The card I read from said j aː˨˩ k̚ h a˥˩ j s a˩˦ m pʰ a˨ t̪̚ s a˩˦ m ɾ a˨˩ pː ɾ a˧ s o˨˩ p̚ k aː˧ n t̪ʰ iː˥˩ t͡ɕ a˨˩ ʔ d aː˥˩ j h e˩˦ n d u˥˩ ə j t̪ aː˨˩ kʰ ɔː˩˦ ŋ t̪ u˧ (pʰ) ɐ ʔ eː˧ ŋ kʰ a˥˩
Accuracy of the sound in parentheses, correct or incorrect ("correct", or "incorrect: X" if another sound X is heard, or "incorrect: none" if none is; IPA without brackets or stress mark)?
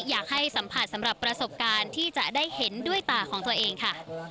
incorrect: none